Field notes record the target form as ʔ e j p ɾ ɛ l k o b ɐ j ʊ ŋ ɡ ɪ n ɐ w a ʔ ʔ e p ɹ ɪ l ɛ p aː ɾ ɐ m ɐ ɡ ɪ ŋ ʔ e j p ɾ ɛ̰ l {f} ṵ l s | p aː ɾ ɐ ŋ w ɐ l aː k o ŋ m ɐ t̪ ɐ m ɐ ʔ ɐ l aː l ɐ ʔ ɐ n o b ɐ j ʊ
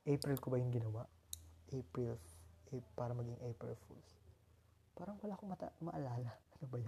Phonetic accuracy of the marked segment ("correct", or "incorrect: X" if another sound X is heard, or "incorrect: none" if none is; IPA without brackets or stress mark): correct